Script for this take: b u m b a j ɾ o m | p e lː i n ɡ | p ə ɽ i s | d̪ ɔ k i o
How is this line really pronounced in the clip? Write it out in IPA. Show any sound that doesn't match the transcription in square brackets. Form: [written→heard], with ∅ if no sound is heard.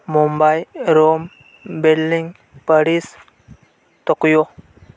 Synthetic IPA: [b→m] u m b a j ɾ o m | [p→b] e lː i [n→ŋ] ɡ | p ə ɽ i s | [d̪→t̪] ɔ k [i→j] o